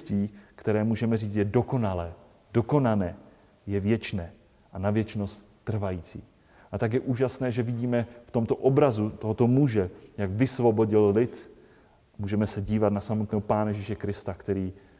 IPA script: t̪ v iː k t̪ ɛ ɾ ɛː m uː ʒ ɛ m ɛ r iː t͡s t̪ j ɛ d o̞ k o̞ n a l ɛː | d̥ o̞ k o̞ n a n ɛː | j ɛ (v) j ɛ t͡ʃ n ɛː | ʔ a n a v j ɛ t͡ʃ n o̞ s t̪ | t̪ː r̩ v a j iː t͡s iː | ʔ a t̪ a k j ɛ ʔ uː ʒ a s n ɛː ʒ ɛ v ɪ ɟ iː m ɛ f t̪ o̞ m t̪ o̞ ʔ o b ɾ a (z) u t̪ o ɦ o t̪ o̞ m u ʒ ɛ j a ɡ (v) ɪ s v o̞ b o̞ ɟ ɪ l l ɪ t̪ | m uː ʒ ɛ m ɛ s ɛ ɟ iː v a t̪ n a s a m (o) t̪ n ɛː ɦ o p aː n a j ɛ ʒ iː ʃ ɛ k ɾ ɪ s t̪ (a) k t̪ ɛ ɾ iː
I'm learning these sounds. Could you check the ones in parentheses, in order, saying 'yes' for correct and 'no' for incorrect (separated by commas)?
yes, yes, yes, yes, yes